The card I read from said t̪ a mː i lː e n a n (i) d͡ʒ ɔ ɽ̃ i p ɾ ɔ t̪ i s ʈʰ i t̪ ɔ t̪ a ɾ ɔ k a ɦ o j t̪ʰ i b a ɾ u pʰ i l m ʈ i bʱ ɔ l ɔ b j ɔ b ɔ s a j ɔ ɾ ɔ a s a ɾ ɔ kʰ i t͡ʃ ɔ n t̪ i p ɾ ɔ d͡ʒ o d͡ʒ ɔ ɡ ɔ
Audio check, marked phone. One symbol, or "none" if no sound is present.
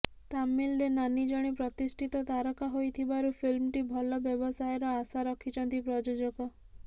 i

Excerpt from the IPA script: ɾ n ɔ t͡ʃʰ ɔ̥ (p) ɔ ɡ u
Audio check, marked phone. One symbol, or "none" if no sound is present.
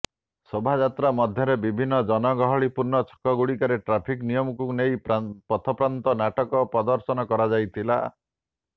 k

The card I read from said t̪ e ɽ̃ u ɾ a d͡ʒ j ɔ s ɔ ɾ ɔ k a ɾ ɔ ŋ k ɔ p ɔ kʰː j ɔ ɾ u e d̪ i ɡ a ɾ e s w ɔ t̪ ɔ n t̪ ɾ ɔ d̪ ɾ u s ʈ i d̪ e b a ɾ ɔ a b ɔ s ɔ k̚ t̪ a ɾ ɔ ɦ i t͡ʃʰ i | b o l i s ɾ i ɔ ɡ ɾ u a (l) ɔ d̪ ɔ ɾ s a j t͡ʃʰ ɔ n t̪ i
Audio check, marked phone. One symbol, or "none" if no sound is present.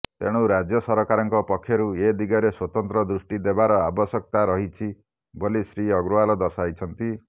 l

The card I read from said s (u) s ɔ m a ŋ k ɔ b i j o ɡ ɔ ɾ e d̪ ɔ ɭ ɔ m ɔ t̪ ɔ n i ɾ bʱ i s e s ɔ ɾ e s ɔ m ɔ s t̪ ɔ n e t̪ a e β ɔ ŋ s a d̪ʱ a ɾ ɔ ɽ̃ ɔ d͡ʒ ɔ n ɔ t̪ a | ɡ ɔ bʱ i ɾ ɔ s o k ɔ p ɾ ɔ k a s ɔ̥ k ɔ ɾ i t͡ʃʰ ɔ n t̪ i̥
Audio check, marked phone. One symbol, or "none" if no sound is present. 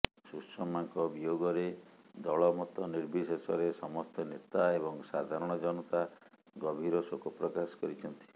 u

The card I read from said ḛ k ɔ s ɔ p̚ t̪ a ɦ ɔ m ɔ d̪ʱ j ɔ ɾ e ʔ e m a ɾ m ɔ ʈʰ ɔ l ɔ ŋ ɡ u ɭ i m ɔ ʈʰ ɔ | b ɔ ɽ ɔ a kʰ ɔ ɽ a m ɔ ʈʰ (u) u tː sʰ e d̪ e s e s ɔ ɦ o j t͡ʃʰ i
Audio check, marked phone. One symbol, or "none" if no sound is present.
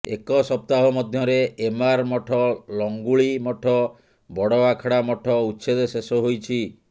ɔ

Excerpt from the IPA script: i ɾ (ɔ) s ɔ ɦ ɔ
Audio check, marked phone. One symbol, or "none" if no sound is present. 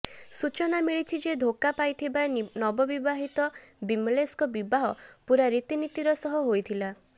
ɔ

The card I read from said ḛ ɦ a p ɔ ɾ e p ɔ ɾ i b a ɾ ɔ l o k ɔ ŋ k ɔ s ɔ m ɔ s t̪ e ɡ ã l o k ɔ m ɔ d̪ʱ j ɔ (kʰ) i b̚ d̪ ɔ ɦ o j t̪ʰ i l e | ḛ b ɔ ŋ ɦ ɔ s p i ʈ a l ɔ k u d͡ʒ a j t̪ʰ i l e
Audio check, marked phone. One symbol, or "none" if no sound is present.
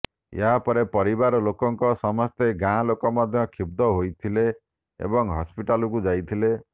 kʰ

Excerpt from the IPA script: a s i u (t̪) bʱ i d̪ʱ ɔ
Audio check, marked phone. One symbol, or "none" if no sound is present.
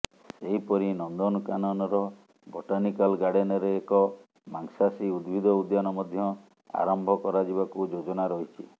d̪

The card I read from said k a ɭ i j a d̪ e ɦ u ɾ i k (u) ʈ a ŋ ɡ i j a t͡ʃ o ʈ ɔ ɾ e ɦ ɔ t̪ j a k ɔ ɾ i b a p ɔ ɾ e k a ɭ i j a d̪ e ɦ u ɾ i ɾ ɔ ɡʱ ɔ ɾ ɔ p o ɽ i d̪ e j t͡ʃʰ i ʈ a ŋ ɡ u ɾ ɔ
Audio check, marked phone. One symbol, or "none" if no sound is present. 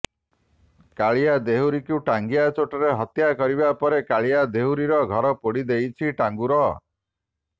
u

